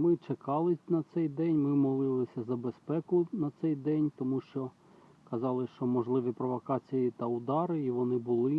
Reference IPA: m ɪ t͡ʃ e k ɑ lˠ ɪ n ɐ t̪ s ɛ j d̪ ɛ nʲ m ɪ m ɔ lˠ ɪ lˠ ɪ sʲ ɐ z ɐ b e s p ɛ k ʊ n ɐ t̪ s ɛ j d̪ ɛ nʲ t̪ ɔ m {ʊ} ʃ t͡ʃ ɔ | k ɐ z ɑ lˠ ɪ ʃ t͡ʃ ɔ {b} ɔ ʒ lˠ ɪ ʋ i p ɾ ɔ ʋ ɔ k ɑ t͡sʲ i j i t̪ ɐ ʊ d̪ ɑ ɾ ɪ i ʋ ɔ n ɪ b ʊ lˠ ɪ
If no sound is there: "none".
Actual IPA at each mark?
u, m

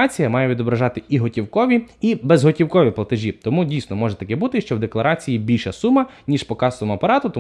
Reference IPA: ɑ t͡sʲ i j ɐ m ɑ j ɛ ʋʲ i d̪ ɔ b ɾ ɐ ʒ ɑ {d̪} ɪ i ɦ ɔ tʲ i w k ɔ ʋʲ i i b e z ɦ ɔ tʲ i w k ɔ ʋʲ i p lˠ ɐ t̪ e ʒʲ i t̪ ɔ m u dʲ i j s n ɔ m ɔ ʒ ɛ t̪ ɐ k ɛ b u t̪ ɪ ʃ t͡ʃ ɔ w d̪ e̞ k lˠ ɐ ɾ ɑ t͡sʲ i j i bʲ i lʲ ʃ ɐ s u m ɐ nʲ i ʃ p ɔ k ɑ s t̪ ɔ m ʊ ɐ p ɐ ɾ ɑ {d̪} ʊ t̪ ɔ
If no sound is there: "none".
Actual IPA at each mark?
t̪, t̪

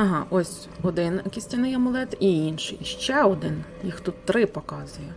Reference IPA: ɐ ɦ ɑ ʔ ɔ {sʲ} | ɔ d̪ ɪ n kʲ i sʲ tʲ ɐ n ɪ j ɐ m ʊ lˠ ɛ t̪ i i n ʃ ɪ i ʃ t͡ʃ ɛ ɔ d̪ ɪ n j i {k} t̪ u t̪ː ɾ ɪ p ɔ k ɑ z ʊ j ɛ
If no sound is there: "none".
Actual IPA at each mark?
sʲ, x

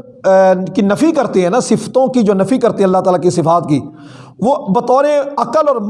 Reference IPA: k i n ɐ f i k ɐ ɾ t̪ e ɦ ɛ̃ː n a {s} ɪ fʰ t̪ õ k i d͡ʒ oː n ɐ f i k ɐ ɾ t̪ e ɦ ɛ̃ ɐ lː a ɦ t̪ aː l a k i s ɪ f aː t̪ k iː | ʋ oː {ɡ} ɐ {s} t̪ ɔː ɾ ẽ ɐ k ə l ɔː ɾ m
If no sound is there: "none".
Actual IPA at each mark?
s, b, none

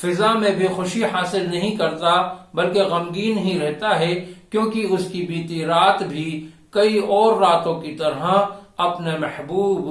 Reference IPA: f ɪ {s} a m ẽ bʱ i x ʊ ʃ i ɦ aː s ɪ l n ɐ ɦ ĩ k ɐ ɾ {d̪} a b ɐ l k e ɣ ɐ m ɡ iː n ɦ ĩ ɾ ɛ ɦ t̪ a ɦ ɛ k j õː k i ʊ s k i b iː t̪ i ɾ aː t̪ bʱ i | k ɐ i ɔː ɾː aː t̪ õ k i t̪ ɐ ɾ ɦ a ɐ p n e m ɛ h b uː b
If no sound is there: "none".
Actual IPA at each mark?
z, t̪

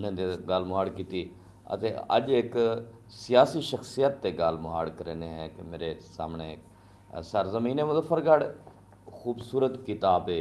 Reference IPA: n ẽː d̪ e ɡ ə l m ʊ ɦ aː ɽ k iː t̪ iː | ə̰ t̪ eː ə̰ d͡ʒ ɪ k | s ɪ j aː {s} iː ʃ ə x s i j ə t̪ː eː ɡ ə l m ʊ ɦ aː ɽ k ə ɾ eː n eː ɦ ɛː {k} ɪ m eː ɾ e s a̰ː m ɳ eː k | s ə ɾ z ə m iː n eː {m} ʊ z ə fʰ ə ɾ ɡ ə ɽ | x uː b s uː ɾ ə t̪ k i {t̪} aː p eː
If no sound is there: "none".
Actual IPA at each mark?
s, k, m, t̪

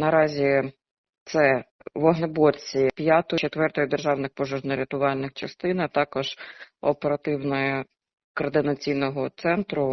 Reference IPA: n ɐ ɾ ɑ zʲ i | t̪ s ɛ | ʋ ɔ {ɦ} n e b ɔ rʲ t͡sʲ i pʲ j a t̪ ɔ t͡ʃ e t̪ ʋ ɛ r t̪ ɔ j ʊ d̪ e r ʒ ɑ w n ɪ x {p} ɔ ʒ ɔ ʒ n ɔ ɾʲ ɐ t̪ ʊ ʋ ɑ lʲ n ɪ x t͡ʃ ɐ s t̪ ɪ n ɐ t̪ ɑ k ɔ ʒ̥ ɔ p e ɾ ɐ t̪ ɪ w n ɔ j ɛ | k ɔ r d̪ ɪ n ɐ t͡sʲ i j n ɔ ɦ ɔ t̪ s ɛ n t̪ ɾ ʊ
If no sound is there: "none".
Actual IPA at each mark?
ɦ, p

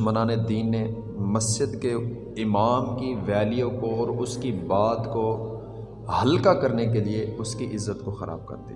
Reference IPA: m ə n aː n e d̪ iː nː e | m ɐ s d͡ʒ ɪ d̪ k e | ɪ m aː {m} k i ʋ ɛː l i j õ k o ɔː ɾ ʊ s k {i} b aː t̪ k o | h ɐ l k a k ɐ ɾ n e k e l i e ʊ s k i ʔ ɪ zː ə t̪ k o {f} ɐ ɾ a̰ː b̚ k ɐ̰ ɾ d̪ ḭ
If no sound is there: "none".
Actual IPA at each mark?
m, i, x

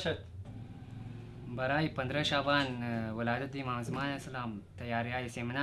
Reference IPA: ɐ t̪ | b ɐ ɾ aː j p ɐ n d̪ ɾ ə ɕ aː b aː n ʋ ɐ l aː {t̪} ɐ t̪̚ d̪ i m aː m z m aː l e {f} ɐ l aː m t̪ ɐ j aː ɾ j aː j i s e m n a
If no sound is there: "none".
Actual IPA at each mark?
d̪, s

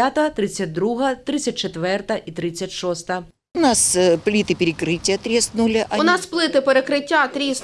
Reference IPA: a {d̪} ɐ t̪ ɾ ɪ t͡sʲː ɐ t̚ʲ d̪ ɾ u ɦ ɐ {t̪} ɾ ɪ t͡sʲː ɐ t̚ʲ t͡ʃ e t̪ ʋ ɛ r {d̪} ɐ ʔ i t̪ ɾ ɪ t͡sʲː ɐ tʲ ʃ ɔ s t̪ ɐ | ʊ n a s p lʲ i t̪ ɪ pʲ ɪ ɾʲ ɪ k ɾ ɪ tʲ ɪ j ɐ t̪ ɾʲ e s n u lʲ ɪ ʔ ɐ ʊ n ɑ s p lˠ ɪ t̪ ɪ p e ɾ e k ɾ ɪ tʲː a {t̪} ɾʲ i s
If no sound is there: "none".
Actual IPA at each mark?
t̪, t̪, t̪, t̪

